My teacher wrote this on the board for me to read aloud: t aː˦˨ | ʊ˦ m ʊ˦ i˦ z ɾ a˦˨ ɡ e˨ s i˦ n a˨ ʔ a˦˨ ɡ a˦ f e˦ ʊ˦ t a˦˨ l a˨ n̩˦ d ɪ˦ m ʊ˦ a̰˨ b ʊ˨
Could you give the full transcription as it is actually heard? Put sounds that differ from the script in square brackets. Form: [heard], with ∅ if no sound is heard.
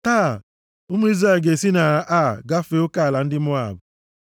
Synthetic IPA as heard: t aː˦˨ | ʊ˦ m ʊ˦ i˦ z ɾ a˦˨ ɡ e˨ s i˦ n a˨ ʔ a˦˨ ɡ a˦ f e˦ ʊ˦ [k] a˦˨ l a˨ n̩˦ d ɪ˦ m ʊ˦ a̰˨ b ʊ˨